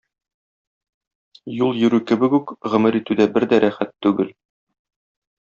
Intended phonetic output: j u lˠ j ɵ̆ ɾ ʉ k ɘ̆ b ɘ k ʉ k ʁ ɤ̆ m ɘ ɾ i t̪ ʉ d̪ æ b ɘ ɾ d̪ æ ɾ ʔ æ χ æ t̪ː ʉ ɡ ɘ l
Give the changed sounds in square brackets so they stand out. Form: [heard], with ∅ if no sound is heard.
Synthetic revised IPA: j u lˠ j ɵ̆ ɾ ʉ k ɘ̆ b ɘ k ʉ k ʁ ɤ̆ m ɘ ɾ i t̪ ʉ d̪ æ b ɘ ɾ d̪ æ ɾ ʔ æ χ æ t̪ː ʉ ɡ ɘ l